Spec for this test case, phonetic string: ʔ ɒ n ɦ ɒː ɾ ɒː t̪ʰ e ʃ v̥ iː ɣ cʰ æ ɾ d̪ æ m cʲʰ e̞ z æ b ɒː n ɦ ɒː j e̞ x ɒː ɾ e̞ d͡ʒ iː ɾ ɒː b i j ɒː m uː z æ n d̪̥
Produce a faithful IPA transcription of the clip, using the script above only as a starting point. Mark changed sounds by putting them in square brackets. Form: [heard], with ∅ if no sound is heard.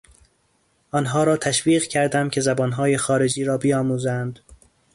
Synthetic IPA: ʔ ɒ n ɦ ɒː ɾ ɒː t̪ʰ [æ] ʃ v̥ iː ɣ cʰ æ ɾ d̪ æ m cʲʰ e̞ z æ b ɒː n ɦ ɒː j e̞ x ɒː ɾ e̞ d͡ʒ iː ɾ ɒː b i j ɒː m uː z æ n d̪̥

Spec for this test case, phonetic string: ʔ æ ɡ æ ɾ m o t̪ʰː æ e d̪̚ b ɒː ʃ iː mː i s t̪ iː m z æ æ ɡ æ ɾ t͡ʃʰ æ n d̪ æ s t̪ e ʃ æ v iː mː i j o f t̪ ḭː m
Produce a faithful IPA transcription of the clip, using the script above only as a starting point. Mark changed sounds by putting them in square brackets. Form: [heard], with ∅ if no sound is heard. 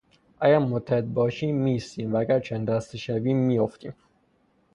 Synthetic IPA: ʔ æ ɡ æ ɾ m o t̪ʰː æ e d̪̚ b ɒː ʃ iː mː i s t̪ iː m [v] æ æ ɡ æ ɾ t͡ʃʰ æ n d̪ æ s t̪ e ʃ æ v iː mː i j o f t̪ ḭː m

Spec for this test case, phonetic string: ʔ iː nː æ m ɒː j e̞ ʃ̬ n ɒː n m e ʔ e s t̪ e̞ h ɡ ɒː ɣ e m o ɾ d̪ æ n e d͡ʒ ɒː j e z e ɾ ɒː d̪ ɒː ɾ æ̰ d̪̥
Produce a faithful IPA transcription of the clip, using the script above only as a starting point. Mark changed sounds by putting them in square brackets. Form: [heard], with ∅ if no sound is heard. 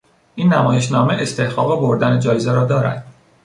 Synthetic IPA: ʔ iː nː æ m ɒː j e̞ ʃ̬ n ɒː [∅] m e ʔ e s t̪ e̞ h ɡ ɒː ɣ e [b] o ɾ d̪ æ n e d͡ʒ ɒː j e z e ɾ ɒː d̪ ɒː ɾ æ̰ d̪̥

